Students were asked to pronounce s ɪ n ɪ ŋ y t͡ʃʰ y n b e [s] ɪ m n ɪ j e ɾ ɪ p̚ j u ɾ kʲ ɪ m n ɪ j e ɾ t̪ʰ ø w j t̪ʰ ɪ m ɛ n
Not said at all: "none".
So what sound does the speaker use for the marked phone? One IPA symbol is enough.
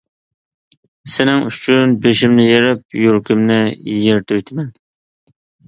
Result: ʃ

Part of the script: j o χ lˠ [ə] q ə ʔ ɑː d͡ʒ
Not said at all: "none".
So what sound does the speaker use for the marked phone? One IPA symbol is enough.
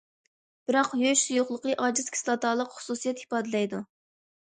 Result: ə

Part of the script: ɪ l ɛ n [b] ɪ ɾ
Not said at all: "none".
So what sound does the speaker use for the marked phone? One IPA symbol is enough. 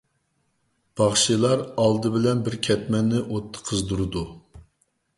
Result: b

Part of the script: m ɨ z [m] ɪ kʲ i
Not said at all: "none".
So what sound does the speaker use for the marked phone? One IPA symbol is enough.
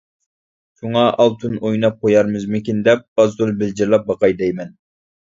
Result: m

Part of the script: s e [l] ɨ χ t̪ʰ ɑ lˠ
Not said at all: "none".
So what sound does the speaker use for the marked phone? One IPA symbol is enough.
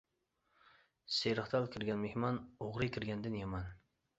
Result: ɾ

